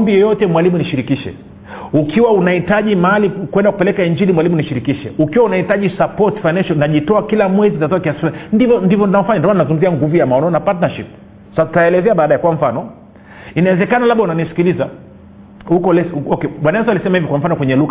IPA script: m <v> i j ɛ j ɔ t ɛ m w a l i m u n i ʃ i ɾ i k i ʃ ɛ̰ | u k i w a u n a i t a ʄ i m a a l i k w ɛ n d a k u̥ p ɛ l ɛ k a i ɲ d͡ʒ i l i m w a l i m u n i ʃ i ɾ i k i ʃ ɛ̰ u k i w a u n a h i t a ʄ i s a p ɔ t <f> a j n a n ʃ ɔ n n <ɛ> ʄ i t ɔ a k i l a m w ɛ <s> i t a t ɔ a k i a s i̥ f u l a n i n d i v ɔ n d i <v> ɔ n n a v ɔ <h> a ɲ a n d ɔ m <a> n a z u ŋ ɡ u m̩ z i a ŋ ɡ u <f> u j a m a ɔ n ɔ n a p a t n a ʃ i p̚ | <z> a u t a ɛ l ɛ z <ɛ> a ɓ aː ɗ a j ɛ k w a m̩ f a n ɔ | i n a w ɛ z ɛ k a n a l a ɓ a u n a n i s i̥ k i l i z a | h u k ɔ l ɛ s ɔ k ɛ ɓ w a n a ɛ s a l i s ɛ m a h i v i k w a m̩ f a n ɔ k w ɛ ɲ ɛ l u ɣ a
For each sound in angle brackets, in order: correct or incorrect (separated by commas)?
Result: incorrect, correct, incorrect, incorrect, correct, incorrect, correct, incorrect, incorrect, correct